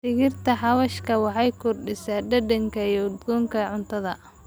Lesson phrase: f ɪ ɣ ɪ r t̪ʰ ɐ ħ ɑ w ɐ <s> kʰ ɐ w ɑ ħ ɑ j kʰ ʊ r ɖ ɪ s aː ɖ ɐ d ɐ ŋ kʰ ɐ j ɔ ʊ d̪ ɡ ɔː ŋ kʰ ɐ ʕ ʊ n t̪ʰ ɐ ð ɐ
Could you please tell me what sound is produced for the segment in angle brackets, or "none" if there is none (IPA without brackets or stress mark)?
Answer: ʃ